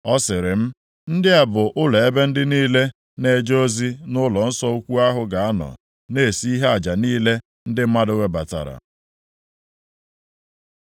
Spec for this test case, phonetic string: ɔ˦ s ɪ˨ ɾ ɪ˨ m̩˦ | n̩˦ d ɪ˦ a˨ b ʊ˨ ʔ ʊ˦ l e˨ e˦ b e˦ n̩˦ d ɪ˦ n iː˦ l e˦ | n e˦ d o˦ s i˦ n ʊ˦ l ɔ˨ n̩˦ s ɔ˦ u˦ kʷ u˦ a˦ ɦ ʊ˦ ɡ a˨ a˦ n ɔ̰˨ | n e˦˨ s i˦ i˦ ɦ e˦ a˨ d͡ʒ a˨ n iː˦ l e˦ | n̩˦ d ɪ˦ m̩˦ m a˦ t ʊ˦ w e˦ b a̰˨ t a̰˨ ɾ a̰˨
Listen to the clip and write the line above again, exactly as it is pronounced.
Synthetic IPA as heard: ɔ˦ s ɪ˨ ɾ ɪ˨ m̩˦ | n̩˦ d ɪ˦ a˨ b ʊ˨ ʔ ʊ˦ l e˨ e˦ b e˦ n̩˦ d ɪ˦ n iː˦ l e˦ | n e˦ d͡ʒ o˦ z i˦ n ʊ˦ l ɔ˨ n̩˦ s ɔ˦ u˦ kʷ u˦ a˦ ɦ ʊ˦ ɡ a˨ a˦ n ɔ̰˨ | n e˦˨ s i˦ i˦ ɦ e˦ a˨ d͡ʒ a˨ n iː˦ l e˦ | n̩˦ d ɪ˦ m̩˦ m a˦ d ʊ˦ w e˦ b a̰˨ t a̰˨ ɾ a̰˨